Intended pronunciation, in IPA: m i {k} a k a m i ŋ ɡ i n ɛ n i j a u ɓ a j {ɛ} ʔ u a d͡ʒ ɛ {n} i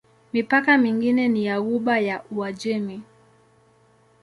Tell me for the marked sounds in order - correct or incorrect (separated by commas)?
incorrect, incorrect, incorrect